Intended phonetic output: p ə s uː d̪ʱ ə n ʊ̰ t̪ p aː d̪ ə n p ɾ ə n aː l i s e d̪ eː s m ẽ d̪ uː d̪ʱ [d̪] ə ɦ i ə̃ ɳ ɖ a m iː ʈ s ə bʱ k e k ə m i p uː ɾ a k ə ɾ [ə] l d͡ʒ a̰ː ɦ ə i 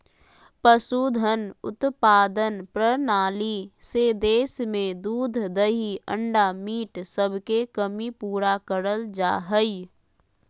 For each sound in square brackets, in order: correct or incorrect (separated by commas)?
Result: correct, correct